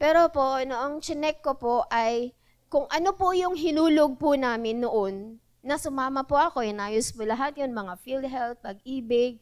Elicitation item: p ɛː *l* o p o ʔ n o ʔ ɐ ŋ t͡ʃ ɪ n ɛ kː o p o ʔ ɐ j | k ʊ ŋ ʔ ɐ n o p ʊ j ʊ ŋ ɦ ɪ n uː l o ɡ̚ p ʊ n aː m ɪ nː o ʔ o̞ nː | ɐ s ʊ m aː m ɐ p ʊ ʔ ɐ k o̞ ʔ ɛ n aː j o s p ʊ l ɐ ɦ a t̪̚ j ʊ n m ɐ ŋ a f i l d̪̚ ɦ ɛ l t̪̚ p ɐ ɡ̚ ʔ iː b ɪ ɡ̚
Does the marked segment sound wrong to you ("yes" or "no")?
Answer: yes